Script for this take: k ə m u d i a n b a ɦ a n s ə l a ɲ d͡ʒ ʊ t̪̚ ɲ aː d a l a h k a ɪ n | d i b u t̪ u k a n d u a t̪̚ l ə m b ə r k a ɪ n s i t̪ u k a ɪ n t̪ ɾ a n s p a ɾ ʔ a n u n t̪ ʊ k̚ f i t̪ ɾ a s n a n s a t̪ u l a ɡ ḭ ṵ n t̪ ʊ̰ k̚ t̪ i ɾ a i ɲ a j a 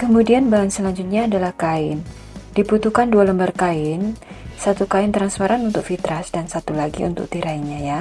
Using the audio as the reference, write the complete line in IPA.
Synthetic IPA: k ə m u d i a n b a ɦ a n s ə l a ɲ d͡ʒ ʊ t̪̚ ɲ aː d a l a h k a ɪ n | d i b u t̪ u k a n d u a l ə m b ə r k a ɪ n s a t̪ u k a ɪ n t̪ ɾ a n s p a ɾ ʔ a n u n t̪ ʊ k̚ f i t̪ ɾ a s d a n s a t̪ u l a ɡ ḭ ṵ n t̪ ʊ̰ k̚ t̪ i ɾ a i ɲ a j a